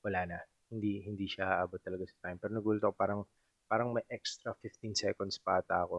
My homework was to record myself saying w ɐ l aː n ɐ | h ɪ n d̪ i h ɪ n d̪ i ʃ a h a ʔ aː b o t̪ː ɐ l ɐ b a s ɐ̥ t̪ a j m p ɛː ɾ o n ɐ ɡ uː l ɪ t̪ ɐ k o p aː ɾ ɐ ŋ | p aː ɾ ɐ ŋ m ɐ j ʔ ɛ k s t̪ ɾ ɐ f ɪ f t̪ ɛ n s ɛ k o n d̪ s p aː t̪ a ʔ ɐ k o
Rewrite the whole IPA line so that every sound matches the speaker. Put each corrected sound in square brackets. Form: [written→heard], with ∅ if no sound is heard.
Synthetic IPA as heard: w ɐ l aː n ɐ | h ɪ n d̪ i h ɪ n d̪ i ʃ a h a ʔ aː b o t̪ː ɐ l ɐ [b→ɡ] a s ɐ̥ t̪ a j m p ɛː ɾ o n ɐ ɡ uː l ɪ t̪ ɐ k o p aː ɾ ɐ ŋ | p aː ɾ ɐ ŋ m ɐ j ʔ ɛ k s t̪ ɾ ɐ f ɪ f t̪ [ɛ→i] n s ɛ k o n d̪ s p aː t̪ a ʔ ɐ k o